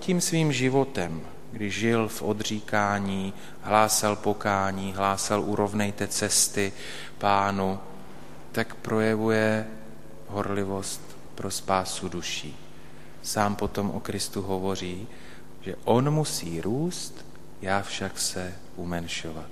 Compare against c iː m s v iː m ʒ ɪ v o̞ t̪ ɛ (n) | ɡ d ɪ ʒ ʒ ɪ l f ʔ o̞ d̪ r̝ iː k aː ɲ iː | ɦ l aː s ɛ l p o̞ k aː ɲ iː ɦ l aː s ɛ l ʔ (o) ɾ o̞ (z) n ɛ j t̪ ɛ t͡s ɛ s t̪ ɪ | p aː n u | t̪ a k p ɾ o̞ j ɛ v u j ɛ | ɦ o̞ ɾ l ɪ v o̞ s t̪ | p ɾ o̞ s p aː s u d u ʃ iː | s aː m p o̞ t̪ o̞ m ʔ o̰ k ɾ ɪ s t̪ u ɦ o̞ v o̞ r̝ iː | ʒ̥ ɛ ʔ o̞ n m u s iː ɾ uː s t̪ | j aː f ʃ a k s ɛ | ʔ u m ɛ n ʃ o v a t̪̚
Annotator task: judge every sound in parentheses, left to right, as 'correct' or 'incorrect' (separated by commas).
incorrect, incorrect, incorrect